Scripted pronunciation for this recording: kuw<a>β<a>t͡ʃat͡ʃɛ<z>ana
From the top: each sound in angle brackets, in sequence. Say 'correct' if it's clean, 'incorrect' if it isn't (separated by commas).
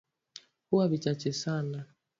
correct, incorrect, incorrect